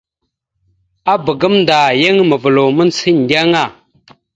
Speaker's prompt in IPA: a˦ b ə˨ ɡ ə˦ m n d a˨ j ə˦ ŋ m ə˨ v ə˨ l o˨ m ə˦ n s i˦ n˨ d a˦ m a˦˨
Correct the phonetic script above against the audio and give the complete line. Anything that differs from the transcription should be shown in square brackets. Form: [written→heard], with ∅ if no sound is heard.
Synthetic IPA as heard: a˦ b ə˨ ɡ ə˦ m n d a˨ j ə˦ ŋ m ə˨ v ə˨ l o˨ m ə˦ n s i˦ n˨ d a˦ [m→ŋ] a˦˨